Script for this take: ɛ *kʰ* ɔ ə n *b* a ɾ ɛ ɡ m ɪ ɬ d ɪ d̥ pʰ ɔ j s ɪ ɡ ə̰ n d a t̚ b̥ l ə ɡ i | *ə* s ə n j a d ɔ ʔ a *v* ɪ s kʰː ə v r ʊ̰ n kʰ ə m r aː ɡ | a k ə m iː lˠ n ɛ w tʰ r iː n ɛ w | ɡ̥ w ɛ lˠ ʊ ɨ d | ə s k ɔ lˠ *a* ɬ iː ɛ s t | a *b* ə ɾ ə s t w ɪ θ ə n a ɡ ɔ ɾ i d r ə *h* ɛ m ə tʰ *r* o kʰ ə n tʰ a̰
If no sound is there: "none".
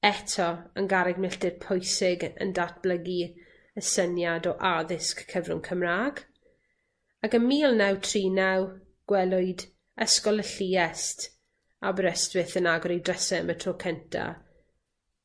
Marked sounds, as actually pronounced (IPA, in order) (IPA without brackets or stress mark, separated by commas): tʰ, ɡ, ə, ð, ə, b, s, r